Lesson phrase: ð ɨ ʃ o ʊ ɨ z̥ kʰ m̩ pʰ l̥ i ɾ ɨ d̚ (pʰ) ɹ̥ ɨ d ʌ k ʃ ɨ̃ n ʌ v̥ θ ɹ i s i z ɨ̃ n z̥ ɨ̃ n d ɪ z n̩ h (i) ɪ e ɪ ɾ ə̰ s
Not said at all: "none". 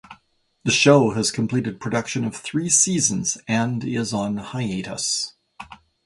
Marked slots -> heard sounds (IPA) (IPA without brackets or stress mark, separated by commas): pʰ, a